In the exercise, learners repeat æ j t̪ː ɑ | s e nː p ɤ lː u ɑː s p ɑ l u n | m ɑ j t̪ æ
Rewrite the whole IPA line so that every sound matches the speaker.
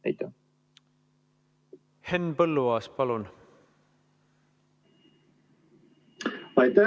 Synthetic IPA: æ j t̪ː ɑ | h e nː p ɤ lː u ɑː s p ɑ l u n | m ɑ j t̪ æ